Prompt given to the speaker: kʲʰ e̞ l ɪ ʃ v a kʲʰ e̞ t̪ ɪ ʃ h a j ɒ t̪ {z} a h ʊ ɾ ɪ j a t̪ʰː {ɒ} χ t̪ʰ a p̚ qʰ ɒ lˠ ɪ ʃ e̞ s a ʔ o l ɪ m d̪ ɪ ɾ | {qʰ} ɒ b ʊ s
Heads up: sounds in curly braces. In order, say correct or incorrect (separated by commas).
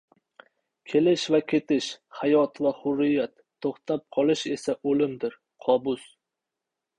incorrect, incorrect, correct